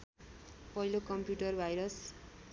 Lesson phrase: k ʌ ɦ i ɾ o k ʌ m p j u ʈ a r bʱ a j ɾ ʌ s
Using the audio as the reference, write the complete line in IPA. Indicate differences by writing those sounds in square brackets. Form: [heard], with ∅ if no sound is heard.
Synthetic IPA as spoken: [p] ʌ ɦ i [l] o k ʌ m p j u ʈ [ʌ] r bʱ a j ɾ ʌ s